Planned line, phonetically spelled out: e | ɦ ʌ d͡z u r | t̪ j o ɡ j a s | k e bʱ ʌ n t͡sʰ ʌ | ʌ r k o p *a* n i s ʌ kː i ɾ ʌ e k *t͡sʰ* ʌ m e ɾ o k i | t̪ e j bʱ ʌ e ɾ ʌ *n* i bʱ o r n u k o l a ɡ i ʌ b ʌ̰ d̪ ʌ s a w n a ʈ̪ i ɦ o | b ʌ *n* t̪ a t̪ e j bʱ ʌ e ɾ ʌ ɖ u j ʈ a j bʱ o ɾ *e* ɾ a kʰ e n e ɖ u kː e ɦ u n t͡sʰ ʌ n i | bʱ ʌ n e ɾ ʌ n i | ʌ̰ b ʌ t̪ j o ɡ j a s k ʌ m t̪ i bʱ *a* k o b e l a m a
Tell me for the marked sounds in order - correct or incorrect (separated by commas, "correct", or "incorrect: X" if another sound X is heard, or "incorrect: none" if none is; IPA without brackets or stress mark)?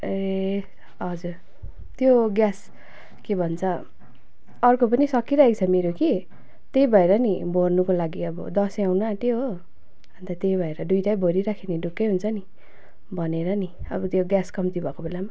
incorrect: ʌ, correct, correct, correct, incorrect: i, incorrect: ʌ